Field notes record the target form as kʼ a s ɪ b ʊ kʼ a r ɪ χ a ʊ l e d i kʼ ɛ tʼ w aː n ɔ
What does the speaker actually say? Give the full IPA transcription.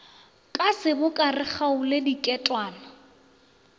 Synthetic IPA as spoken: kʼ a s ɪ b ʊ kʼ a r ɪ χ a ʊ l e d i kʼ ɛ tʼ w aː n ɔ

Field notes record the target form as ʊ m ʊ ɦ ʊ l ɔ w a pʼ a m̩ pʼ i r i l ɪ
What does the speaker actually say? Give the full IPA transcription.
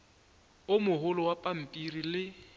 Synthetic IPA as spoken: ʊ m ʊ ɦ ʊ l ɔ w a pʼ a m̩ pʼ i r i l ɪ

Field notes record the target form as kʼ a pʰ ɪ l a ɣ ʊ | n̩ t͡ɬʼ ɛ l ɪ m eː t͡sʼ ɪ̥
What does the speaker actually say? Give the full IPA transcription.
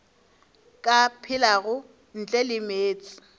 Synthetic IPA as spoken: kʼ a pʰ ɪ l a ɣ ʊ | n̩ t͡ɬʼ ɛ l ɪ m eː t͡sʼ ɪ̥

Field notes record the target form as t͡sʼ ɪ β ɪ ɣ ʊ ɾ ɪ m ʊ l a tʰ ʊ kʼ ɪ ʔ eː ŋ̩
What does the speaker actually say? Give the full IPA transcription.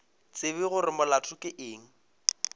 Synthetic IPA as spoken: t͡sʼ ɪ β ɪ ɣ ʊ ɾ ɪ m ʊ l a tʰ ʊ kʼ ɪ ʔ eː ŋ̩

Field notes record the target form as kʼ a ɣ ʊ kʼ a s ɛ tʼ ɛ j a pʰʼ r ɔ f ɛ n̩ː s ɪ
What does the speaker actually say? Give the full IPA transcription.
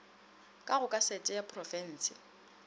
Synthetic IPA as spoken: kʼ a ɣ ʊ kʼ a s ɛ tʼ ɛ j a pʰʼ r ɔ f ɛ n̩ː s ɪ

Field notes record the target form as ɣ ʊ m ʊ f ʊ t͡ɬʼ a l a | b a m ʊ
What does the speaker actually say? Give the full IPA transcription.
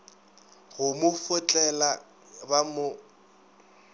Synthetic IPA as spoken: ɣ ʊ m ʊ f ʊ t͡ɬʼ ɛ l a | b a m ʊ

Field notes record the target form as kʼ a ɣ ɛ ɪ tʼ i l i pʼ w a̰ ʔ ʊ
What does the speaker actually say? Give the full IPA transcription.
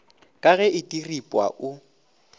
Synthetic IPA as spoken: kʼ a ɣ ɛ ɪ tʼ i r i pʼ w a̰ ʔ ʊ

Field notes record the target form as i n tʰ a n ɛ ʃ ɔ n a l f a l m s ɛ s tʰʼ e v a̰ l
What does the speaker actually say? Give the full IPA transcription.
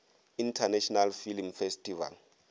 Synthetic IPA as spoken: i n tʰ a n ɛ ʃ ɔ n a l f i l m f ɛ s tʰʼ i v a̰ l

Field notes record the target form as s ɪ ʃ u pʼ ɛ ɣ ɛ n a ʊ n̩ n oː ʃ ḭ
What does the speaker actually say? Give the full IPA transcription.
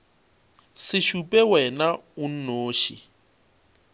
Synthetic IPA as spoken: s ɪ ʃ u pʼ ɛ w ɛ n a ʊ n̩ n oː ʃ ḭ

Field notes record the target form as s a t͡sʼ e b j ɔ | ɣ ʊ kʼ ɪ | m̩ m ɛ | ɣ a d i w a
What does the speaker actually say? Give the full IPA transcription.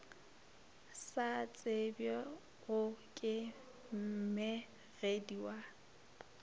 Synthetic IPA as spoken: s a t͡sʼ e b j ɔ | ɣ ʊ kʼ ɪ | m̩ m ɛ | ɣ e d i w a

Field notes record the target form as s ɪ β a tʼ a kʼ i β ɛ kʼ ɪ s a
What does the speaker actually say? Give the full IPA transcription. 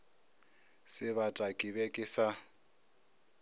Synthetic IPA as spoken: s ɪ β a tʼ a kʼ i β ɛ kʼ ɪ s a

